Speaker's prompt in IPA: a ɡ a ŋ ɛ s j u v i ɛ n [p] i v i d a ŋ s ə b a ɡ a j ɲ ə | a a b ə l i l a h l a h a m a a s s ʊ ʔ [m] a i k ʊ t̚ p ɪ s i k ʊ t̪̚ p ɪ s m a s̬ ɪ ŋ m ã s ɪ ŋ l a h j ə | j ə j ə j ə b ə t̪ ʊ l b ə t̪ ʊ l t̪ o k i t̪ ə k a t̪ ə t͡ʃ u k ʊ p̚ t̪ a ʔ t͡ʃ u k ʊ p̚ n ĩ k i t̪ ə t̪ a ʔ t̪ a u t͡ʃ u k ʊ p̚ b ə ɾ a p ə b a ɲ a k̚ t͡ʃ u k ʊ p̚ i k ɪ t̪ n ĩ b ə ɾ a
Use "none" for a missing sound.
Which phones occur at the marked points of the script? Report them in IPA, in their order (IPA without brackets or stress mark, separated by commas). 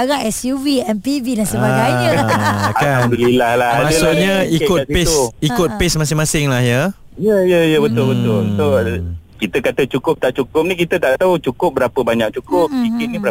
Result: p, ɲ